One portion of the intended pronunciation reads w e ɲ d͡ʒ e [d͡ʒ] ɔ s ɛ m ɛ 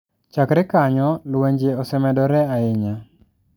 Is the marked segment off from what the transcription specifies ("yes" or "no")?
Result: yes